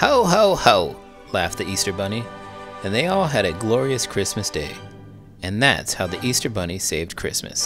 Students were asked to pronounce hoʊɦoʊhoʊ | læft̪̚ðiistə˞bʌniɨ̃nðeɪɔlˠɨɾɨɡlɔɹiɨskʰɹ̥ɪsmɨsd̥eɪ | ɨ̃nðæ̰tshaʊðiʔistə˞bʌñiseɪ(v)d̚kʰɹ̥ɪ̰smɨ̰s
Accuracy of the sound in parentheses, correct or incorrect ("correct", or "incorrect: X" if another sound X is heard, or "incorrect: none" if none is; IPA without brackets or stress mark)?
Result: correct